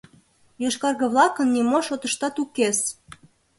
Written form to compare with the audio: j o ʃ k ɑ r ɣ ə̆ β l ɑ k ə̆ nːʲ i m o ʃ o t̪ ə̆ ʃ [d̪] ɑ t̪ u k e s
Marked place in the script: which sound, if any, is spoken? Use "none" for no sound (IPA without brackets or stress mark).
t̪